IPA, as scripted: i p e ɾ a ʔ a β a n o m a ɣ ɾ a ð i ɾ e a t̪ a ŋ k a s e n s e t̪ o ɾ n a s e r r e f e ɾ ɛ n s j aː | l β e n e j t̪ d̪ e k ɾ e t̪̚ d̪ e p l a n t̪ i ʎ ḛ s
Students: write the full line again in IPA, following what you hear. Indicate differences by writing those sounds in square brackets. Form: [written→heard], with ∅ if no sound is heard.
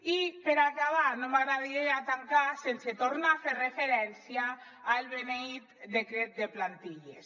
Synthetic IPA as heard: i p e ɾ a [ʔ→k] a β a n o m a ɣ ɾ a ð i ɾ e a t̪ a ŋ k a s e n s e t̪ o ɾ n a [s→f] e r r e f e ɾ ɛ n s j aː | l β e n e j t̪ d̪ e k ɾ e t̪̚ d̪ e p l a n t̪ i ʎ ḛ s